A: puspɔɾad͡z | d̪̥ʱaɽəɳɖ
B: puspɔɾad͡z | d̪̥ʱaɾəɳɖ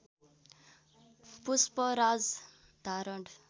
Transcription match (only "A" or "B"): B